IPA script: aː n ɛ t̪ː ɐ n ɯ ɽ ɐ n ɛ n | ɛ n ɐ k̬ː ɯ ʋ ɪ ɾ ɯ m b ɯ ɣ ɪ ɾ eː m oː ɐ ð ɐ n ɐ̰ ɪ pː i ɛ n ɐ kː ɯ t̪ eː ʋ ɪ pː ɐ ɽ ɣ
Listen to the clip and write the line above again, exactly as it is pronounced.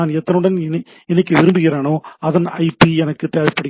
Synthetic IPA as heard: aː n ɛ t̪ː ɐ n ɯ ɽ ɐ n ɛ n | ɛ n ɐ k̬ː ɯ ʋ ɪ ɾ ɯ m b ɯ ɣ ɪ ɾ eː n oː ɐ ð ɐ n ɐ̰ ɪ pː i ɛ n ɐ kː ɯ t̪ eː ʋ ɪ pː ɐ ɽ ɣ